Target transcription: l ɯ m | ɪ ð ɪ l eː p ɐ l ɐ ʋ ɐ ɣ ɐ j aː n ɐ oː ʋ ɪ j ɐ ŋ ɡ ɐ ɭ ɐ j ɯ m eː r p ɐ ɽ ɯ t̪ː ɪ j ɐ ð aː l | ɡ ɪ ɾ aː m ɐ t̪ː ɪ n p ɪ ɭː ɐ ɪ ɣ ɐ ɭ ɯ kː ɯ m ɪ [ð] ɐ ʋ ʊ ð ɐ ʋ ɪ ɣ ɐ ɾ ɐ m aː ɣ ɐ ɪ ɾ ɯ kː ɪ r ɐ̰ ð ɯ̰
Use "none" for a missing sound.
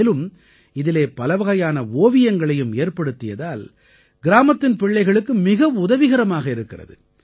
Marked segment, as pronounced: ɣ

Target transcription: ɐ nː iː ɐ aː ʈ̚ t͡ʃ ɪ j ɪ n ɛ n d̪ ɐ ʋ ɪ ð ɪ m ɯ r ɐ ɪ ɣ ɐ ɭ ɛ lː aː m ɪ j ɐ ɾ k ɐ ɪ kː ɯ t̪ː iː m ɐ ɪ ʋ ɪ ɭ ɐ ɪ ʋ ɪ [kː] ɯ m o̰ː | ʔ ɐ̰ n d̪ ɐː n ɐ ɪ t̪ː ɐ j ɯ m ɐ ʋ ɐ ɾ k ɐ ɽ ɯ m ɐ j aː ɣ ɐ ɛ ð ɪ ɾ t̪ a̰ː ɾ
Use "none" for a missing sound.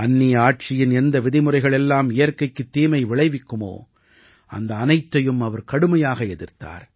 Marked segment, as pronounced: kː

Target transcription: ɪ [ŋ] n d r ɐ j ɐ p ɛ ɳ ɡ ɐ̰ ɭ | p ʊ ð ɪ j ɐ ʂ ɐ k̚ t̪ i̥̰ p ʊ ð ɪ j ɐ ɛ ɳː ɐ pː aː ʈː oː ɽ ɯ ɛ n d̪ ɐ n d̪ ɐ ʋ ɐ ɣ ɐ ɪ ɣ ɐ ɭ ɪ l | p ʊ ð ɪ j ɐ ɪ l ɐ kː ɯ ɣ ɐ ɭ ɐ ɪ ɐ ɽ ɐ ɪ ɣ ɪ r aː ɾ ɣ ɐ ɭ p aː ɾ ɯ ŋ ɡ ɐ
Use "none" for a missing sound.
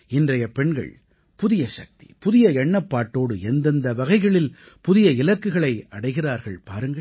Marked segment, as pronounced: none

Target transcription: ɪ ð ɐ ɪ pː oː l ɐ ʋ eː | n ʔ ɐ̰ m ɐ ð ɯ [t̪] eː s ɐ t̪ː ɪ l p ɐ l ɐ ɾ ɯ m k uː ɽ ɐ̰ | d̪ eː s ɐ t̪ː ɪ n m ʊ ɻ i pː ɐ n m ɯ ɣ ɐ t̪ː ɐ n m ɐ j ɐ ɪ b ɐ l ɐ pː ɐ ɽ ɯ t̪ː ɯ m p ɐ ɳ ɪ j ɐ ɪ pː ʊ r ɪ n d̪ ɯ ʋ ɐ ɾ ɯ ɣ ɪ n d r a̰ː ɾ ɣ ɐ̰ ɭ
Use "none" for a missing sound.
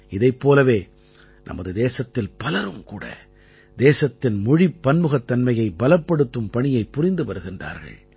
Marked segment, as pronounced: d̪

